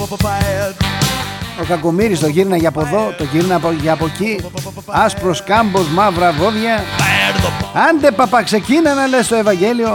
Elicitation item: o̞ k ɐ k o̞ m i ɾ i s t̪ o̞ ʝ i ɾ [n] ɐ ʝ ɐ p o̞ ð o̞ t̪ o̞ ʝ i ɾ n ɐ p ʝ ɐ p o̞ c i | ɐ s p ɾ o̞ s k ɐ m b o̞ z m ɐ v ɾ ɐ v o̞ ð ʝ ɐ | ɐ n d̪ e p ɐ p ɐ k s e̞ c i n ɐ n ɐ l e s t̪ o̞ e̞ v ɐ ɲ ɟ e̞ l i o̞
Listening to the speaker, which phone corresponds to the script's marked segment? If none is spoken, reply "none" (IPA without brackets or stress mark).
n